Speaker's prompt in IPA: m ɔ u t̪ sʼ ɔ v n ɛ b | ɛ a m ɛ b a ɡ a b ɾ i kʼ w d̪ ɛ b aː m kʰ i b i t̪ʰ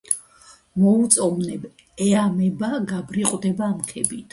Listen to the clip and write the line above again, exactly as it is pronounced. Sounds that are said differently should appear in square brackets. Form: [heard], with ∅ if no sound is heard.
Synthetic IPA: m ɔ u t̪ sʼ ɔ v n ɛ b | ɛ a m ɛ b a ɡ a b ɾ i [qʼ] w d̪ ɛ b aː m kʰ [ɛ] b i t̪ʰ